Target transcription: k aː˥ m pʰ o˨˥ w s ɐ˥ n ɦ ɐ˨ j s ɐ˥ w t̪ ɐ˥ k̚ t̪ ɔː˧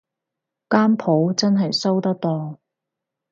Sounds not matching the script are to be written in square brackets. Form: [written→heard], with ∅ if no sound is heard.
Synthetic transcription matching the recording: k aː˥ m pʰ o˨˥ w [s→t͡s] ɐ˥ n ɦ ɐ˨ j s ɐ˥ w t̪ ɐ˥ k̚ t̪ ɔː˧